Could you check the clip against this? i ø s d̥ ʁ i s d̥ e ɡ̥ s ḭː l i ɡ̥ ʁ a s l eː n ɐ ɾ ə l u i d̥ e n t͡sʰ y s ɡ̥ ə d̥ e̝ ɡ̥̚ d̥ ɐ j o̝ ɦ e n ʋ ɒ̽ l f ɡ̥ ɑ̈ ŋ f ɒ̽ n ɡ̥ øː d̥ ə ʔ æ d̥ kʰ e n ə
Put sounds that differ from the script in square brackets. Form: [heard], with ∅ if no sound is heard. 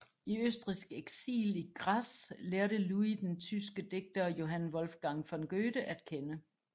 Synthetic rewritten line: i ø s d̥ ʁ i s [ɡ̥] e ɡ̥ s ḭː l i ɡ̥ ʁ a s l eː [∅] ɐ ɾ ə l u i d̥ e n t͡sʰ y s ɡ̥ ə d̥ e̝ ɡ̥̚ d̥ ɐ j o̝ ɦ [æ] n ʋ ɒ̽ l f ɡ̥ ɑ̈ ŋ f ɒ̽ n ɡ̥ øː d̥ ə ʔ æ d̥ kʰ e n ə